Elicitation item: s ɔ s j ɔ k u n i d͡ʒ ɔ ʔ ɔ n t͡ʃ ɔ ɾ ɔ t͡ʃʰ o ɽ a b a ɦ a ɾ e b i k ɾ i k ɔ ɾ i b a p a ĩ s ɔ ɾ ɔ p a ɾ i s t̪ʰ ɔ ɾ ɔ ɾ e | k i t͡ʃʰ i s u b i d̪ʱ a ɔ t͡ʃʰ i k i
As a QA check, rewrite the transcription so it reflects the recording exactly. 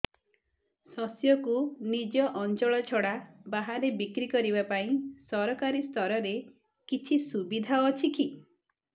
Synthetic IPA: s ɔ s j ɔ k u n i d͡ʒ ɔ ʔ ɔ n t͡ʃ ɔ ɭ ɔ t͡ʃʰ ɔ ɽ a b a ɦ a ɾ e b i k ɾ i k ɔ ɾ i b a p a ĩ s ɔ ɾ ɔ k a ɾ i s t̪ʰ ɔ ɾ ɔ ɾ e | k i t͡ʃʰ i s u b i d̪ʱ a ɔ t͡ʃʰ i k i